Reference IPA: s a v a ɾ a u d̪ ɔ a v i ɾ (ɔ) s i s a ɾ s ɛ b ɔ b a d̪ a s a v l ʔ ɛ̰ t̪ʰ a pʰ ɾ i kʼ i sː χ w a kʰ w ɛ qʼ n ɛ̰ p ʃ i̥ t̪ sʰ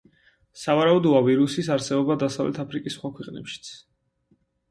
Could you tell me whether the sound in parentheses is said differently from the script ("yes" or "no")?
yes